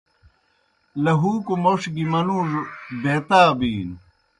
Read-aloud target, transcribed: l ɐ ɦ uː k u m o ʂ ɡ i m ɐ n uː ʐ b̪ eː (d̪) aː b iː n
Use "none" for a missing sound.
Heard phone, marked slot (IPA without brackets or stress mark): t̪